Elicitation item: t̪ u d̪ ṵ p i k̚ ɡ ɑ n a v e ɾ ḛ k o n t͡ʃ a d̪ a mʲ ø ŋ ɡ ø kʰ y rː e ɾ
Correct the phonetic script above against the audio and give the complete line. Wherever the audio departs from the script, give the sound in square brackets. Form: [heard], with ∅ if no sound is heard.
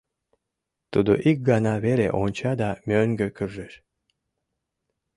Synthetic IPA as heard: t̪ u d̪ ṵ [ʔ] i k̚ ɡ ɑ n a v e ɾ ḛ [ʔ] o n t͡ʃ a d̪ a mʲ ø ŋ ɡ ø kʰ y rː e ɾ